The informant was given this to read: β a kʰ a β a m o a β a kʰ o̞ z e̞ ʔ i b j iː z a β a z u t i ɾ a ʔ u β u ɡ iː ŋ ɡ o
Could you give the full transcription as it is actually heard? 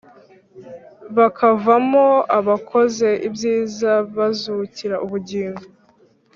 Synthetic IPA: β a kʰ a v a m o a β a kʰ o̞ z e̞ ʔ i b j iː z a β a z u c i ɾ a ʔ u β u ɟ iː ŋ ɡ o

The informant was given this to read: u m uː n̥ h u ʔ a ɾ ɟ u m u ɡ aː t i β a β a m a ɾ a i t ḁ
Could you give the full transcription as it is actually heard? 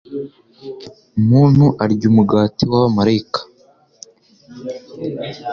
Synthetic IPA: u m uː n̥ h u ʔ a ɾ ɟ u m u ɡ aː t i w a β a m a ɾ a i k ḁ

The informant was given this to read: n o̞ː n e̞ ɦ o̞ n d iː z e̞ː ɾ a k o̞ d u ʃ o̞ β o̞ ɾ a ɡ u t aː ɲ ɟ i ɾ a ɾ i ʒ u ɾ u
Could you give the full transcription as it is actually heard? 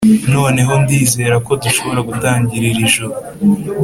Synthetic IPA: n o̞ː n e̞ ɦ o̞ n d iː z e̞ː ɾ a k o̞ d u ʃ o̞ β o̞ ɾ a ɡ u t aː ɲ ɟ i ɾ i ɾ i ʒ u ɾ u

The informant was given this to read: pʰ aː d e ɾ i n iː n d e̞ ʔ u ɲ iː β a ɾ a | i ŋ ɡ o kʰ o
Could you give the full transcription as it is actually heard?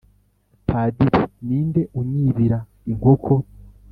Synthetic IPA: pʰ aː d i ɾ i n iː n d e̞ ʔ u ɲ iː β i ɾ a | i ŋ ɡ o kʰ o

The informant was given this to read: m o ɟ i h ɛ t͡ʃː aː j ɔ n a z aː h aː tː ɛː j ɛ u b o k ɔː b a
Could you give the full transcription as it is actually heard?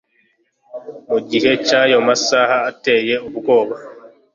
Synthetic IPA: m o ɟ i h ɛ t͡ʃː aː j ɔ m a s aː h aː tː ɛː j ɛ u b u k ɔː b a

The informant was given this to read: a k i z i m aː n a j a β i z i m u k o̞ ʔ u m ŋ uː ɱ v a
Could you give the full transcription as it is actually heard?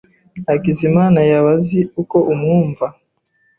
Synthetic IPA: a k i z i m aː n a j a β a z i u k o̞ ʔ u m ŋ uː ɱ v a

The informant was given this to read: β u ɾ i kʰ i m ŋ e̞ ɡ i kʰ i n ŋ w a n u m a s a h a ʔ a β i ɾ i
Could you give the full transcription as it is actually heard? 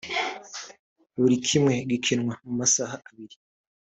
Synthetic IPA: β u ɾ i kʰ i m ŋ e̞ ɡ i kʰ i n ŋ w a m u m a s a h a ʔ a β i ɾ i

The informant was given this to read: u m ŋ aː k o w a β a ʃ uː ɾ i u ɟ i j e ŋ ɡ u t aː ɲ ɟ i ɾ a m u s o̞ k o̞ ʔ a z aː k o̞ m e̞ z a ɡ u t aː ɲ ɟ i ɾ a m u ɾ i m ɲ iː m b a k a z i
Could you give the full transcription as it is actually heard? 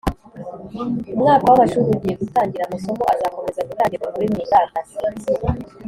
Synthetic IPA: u m ŋ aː k o w a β a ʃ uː ɾ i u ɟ i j e ɡ u t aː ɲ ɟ i ɾ a m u s o̞ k o̞ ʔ a z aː k o̞ m e̞ z a ɡ u t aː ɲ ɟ i ɾ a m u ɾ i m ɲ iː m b a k a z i

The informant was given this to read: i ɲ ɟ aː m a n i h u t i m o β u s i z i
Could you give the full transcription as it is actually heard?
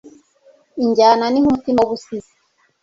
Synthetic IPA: i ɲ ɟ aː n a n i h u t i m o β u s i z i

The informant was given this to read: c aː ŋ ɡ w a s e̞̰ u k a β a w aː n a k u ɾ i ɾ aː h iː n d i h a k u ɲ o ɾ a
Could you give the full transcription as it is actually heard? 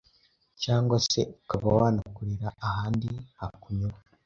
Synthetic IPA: c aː ŋ ɡ w a s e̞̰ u k a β a w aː n a k u ɾ i ɾ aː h aː n d i h a k u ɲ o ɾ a

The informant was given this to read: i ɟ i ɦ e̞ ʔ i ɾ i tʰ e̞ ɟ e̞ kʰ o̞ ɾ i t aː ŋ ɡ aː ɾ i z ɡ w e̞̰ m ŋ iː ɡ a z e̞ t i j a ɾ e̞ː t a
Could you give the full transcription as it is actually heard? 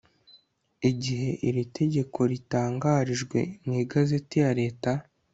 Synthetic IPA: i ɟ i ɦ e̞ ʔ i ɾ i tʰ e̞ ɟ e̞ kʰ o̞ ɾ i t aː ŋ ɡ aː ɾ i ʒ ɡ w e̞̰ m ŋ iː ɡ a z e̞ t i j a ɾ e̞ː t a

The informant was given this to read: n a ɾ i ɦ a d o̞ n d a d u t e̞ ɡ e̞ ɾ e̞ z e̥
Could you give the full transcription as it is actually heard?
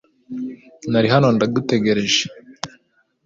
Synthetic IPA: n a ɾ i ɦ a n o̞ n d a d u t e̞ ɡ e̞ ɾ e̞ ʒ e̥

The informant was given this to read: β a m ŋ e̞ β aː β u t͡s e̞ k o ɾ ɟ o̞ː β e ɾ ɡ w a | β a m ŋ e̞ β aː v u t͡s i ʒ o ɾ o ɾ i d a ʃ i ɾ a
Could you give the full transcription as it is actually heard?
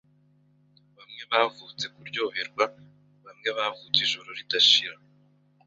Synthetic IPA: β a m ŋ e̞ β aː v u t͡s e̞ k u ɾ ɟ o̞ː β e ɾ ɡ w a | β a m ŋ e̞ β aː v u t͡s i ʒ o ɾ o ɾ i d a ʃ i ɾ a

